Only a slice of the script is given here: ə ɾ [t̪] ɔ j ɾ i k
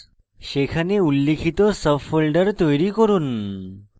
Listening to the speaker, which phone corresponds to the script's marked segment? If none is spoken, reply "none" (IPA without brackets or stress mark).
t̪